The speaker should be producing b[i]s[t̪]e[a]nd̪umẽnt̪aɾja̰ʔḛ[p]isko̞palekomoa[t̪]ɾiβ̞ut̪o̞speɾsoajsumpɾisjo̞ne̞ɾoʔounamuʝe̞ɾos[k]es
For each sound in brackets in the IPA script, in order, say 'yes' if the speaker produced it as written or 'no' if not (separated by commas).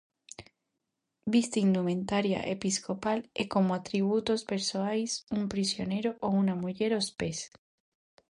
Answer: yes, yes, no, yes, yes, no